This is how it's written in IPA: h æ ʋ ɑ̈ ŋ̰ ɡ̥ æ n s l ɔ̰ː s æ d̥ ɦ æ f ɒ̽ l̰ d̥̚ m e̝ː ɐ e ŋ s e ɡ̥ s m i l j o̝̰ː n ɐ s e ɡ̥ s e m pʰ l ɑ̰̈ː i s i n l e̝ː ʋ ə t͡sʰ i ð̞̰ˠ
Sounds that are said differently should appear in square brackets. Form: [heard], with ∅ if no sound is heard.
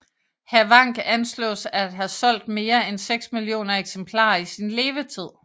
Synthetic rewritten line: h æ ʋ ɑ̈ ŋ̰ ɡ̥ æ n s l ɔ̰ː s æ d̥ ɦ æ [s] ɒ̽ l̰ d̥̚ m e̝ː ɐ e [n] s e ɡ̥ s m i l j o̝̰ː n ɐ [∅] e ɡ̥ s e m pʰ l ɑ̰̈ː i s i n l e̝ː ʋ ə t͡sʰ i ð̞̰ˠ